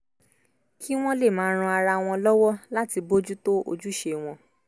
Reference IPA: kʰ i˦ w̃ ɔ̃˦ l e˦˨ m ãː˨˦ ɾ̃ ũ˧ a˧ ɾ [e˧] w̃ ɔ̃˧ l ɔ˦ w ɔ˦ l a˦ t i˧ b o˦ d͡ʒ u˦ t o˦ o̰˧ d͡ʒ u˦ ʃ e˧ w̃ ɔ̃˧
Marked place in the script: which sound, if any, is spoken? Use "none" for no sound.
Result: a˧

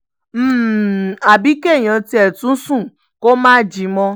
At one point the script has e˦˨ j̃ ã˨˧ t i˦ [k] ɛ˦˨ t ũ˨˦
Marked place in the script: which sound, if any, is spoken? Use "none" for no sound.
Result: none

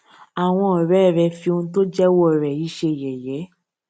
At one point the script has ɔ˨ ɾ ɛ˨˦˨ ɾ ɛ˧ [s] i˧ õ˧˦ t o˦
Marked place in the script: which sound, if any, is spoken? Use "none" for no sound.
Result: f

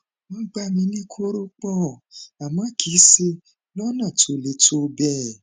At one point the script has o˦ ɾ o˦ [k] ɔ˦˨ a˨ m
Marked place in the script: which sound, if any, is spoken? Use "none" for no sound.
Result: k͡p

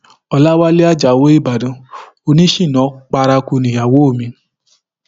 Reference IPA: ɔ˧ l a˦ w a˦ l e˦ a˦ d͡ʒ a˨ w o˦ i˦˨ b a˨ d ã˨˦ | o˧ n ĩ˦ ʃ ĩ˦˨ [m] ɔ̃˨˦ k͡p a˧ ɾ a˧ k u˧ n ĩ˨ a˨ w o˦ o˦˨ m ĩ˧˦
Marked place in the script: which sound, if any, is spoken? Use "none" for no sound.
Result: n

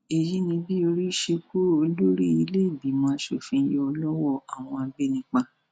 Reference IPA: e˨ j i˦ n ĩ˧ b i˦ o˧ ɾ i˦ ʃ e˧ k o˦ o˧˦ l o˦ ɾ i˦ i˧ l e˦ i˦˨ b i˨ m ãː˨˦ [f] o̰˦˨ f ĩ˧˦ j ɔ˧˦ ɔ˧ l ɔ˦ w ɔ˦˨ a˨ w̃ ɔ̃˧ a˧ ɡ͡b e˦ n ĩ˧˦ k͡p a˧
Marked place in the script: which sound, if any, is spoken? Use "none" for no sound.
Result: ʃ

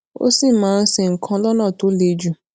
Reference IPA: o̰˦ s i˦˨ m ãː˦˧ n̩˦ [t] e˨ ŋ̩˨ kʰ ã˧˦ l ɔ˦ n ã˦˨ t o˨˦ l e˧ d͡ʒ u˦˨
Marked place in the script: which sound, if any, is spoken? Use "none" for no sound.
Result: s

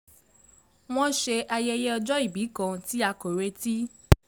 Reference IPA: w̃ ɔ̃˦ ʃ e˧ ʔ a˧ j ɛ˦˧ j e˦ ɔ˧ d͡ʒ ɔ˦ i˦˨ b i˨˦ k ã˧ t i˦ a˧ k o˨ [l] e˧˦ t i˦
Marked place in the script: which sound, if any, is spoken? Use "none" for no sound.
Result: ɾ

